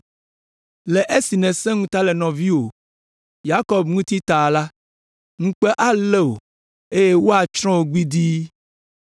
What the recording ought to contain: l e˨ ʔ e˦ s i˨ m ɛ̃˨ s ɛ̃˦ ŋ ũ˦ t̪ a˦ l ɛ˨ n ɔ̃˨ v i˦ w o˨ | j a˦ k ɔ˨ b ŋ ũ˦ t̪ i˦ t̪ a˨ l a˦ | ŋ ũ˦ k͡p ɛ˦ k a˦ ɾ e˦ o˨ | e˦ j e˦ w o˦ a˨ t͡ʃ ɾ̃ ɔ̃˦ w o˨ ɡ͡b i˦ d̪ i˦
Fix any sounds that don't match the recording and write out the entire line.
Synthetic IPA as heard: l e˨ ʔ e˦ s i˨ n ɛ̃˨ s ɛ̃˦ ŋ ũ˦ t̪ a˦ l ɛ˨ n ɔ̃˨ v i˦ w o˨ | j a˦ k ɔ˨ b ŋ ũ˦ t̪ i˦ t̪ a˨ l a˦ | ŋ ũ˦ k͡p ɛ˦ ʔ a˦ l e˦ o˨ | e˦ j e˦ w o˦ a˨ t͡ʃ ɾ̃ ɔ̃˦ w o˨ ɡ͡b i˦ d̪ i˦